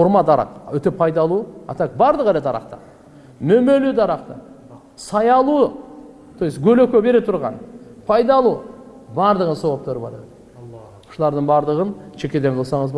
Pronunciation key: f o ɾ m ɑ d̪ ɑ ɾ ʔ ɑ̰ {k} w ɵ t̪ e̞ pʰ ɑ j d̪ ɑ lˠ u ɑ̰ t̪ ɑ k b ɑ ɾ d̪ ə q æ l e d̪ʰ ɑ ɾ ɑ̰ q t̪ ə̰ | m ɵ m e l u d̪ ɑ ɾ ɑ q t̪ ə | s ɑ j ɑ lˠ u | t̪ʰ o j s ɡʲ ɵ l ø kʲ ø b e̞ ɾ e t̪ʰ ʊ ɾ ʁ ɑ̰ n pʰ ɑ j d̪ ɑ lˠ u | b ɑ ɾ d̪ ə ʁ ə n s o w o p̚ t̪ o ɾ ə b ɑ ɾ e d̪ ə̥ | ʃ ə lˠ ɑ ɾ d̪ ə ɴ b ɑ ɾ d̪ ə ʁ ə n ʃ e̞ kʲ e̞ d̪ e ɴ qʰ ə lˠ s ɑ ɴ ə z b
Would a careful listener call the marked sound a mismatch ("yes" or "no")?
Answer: yes